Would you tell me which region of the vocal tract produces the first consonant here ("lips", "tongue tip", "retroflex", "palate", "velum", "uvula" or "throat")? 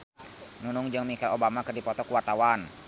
tongue tip